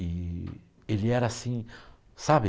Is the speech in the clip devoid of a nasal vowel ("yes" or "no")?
no